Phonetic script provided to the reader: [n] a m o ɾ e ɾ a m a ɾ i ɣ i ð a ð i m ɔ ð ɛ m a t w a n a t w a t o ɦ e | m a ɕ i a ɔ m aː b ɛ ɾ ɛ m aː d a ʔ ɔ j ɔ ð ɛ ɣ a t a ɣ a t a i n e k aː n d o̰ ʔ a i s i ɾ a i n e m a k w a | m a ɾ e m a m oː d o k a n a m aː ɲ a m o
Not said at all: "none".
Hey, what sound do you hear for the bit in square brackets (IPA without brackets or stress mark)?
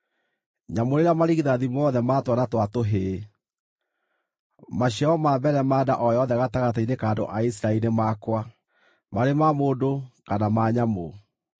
ɲ